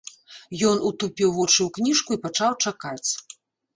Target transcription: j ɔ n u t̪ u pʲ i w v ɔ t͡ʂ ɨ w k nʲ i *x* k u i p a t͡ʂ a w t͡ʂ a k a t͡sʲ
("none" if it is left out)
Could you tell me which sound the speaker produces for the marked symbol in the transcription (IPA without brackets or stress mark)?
ʂ